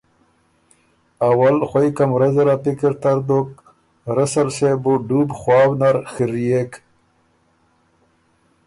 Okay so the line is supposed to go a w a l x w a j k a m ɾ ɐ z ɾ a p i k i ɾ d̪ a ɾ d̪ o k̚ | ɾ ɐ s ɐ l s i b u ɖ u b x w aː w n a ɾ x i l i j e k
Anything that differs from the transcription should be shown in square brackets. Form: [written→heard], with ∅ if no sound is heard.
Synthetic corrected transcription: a w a l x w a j k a m ɾ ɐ z ɾ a p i k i ɾ [d̪→t̪] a ɾ d̪ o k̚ | ɾ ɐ s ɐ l s [i→e] b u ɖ u b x w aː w n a ɾ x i [l→ɾ] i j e k